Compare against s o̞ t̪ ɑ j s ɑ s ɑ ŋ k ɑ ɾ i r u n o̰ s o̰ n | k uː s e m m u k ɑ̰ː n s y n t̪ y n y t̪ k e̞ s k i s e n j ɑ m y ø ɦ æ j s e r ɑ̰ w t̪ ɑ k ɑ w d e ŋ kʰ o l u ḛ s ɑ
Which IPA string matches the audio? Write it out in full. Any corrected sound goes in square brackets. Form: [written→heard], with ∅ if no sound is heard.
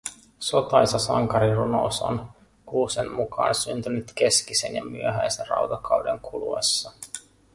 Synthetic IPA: s o̞ t̪ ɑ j s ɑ s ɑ ŋ k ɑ ɾ i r u n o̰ s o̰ n | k uː s e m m u k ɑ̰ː n s y n t̪ y n y t̪ k e̞ s k i s e n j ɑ m y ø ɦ æ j s e r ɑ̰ w t̪ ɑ k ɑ w d e ŋ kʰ [o→u] l u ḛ [s→sː] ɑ